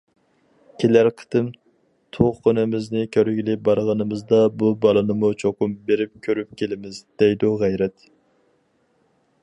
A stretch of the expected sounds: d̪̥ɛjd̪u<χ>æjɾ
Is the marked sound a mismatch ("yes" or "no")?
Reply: yes